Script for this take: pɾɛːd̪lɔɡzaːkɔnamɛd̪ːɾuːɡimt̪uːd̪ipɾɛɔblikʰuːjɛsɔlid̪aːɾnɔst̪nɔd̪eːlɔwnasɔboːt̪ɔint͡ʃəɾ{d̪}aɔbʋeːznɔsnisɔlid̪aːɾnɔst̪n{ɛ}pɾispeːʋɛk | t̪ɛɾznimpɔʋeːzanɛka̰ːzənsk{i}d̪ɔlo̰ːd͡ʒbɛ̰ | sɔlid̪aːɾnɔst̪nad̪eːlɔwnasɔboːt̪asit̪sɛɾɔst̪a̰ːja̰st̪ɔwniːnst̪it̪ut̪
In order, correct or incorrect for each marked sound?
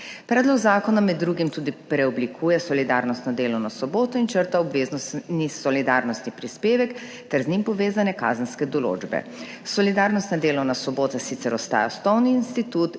incorrect, incorrect, incorrect

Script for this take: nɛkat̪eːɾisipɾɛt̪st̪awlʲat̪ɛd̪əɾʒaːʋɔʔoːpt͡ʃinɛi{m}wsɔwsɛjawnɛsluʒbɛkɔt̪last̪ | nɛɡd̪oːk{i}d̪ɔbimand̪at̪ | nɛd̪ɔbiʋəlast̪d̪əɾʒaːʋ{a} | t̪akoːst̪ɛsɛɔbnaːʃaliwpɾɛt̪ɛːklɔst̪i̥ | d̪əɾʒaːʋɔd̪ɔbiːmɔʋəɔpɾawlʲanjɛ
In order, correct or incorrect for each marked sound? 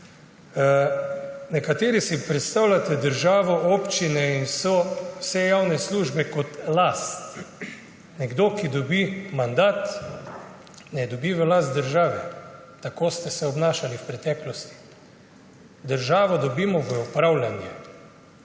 incorrect, correct, incorrect

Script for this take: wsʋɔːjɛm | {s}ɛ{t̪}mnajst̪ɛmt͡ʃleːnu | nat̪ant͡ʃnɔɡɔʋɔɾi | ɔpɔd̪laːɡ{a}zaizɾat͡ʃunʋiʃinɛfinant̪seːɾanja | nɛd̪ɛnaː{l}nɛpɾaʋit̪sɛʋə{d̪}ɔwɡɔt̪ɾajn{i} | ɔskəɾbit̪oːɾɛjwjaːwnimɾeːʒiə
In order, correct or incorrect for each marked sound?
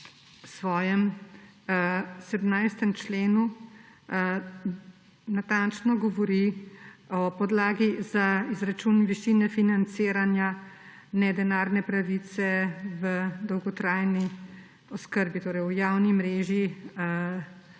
correct, incorrect, incorrect, incorrect, correct, correct

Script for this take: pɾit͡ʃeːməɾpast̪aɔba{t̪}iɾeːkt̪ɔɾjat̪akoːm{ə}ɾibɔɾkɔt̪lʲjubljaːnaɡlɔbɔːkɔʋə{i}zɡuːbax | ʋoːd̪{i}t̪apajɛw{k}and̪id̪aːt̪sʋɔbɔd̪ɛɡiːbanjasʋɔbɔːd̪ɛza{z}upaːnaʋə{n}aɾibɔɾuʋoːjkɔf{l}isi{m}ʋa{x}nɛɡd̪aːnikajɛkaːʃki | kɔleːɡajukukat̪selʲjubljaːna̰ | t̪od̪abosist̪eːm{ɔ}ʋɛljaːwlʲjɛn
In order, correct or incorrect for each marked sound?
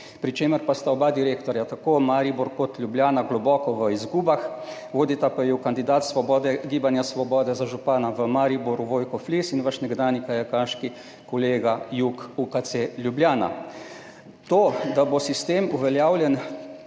incorrect, incorrect, correct, correct, correct, incorrect, incorrect, correct, incorrect, incorrect, incorrect

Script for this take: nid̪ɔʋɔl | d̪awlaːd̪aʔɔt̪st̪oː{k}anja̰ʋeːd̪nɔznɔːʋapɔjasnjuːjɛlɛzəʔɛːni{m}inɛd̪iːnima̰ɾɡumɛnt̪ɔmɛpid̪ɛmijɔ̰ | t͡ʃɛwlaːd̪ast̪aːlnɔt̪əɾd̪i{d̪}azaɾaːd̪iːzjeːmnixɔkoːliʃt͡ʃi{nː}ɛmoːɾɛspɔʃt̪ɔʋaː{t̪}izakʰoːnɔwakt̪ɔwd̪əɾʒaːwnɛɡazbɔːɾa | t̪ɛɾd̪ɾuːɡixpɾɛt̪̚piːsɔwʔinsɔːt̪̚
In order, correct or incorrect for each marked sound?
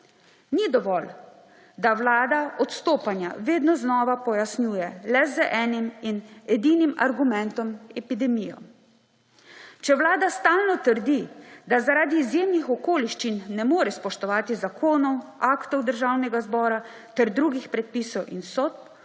incorrect, correct, correct, correct, correct

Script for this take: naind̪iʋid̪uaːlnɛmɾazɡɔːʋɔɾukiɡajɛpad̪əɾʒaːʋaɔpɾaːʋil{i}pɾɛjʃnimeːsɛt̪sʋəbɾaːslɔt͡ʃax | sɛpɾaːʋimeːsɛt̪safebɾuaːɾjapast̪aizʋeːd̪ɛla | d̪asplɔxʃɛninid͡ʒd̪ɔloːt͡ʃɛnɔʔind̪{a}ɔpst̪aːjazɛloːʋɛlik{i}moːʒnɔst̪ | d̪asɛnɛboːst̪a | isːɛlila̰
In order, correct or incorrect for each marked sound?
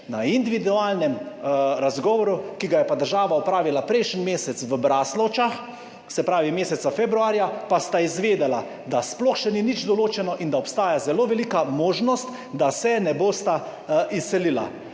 incorrect, correct, incorrect

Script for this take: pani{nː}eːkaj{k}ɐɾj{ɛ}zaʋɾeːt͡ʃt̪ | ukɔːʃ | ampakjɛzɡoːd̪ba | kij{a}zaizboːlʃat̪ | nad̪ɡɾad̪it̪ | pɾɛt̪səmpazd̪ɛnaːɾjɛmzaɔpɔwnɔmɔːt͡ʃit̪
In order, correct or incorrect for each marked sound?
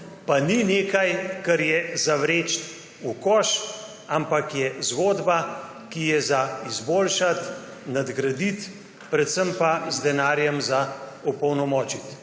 incorrect, correct, correct, incorrect

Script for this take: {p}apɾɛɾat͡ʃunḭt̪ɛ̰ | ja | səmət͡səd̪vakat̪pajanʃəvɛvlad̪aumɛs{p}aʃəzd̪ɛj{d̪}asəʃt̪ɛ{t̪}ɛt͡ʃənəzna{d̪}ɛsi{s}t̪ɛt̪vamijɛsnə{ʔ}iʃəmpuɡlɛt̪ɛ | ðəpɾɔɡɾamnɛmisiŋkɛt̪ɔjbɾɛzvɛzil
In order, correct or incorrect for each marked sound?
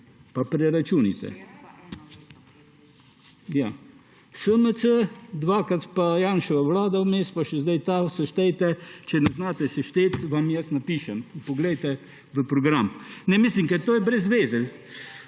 correct, correct, incorrect, correct, incorrect, incorrect, incorrect

